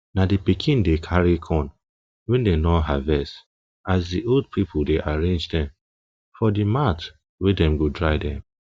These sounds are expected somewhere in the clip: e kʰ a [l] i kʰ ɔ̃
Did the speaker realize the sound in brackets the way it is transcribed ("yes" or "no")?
no